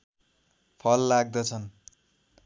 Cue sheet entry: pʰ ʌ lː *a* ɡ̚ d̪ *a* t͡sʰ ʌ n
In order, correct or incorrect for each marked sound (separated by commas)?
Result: correct, incorrect